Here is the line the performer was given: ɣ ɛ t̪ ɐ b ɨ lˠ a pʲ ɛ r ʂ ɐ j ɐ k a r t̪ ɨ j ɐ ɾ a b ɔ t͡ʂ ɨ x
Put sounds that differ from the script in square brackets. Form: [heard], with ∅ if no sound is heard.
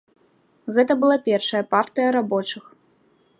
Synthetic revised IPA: ɣ ɛ t̪ ɐ b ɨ lˠ a pʲ ɛ r ʂ ɐ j ɐ [p] a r t̪ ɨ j ɐ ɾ a b ɔ t͡ʂ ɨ x

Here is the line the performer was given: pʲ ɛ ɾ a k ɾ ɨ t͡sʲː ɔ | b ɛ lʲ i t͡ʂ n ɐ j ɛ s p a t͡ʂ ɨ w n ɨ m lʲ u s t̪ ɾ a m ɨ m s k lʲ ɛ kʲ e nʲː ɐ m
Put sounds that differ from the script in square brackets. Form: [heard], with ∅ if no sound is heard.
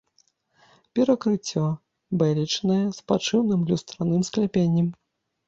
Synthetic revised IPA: pʲ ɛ ɾ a k ɾ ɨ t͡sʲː ɔ | b ɛ lʲ i t͡ʂ n ɐ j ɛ s p a t͡ʂ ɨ w n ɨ m lʲ u s t̪ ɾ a [n] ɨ m s k lʲ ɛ [pʲ] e nʲː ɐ m

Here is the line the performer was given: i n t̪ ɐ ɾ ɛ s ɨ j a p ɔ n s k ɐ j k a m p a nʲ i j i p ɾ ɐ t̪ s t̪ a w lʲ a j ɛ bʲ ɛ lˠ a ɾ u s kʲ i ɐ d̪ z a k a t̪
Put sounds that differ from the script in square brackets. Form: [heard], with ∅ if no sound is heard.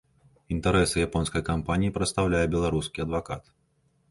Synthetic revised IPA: i n t̪ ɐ ɾ ɛ s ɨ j a p ɔ n s k ɐ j k a m p a nʲ i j i p ɾ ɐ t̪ s t̪ a w lʲ a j ɛ bʲ ɛ lˠ a ɾ u s kʲ i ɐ d̪ [v] a k a t̪

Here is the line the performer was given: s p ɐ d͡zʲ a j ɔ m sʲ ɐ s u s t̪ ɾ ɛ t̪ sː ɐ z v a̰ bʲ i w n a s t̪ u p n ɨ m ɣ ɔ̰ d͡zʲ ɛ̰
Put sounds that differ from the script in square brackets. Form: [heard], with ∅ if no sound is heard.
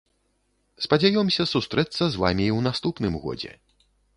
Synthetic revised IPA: s p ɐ d͡zʲ a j ɔ m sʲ ɐ s u s t̪ ɾ ɛ t̪ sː ɐ z v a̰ [mʲ] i w n a s t̪ u p n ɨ m ɣ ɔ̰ d͡zʲ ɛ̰

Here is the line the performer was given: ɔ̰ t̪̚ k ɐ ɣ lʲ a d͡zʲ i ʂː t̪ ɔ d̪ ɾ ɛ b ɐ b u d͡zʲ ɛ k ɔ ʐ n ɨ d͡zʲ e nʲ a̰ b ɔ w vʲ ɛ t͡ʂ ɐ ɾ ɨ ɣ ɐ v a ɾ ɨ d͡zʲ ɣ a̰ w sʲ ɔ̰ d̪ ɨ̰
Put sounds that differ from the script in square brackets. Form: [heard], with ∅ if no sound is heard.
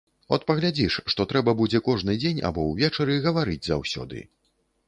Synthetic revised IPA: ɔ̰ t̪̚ [p] ɐ ɣ lʲ a d͡zʲ i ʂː t̪ ɔ [t̪] ɾ ɛ b ɐ b u d͡zʲ ɛ k ɔ ʐ n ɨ d͡zʲ e nʲ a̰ b ɔ w vʲ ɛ t͡ʂ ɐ ɾ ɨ ɣ ɐ v a ɾ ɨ d͡zʲ [z] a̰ w sʲ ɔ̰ d̪ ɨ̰

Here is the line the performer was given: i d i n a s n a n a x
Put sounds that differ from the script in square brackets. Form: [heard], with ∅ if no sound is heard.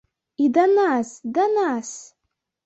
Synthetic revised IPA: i d [a] n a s [d] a n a [s]

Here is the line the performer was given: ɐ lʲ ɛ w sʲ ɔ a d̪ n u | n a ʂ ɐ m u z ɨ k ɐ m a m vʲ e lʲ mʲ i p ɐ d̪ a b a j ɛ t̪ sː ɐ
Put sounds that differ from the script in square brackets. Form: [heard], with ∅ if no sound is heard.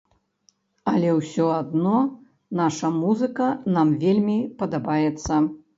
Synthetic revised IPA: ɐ lʲ ɛ w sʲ ɔ a d̪ n [ɔ] | n a ʂ ɐ m u z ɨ k ɐ [n] a m vʲ e lʲ mʲ i p ɐ d̪ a b a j ɛ t̪ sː ɐ

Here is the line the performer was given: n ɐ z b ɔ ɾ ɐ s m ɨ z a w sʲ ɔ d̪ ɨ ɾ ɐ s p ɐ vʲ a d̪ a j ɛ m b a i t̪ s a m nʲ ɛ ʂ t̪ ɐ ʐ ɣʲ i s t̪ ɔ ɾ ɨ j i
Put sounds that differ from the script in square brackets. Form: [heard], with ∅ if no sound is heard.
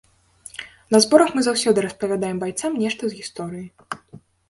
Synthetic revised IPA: n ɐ z b ɔ ɾ ɐ [x] m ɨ z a w sʲ ɔ d̪ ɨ ɾ ɐ s p ɐ vʲ a d̪ a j ɛ m b a [j] t̪ s a m nʲ ɛ ʂ t̪ ɐ [z] ɣʲ i s t̪ ɔ ɾ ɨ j i

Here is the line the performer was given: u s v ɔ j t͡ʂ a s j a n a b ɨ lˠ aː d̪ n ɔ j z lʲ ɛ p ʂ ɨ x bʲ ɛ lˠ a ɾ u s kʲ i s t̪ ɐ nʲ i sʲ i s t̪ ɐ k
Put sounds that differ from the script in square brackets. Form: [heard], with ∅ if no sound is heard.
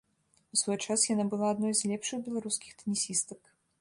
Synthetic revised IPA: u s v ɔ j t͡ʂ a s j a n a b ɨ lˠ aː d̪ n ɔ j z lʲ ɛ p ʂ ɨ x bʲ ɛ lˠ a ɾ u s kʲ i [x] t̪ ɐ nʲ i sʲ i s t̪ ɐ k

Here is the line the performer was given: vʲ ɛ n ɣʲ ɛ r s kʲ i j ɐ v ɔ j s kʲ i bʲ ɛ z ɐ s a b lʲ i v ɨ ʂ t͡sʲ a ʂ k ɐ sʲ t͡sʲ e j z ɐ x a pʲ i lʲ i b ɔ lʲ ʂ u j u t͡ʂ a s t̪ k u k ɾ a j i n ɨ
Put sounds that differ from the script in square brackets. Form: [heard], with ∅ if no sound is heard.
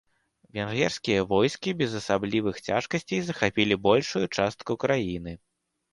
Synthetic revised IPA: vʲ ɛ n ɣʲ ɛ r s kʲ i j ɐ v ɔ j s kʲ i bʲ ɛ z ɐ s a b lʲ i v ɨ [x] t͡sʲ a ʂ k ɐ sʲ t͡sʲ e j z ɐ x a pʲ i lʲ i b ɔ lʲ ʂ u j u t͡ʂ a s t̪ k u k ɾ a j i n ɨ

